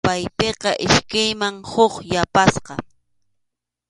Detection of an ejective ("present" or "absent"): absent